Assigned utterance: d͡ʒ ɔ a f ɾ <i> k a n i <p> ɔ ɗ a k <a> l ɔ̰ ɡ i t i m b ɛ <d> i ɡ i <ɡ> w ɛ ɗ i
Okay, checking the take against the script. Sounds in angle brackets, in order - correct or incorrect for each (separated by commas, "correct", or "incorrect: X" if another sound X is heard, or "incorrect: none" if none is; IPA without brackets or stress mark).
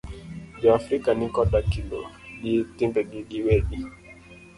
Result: correct, incorrect: k, incorrect: i, incorrect: ɡ, incorrect: none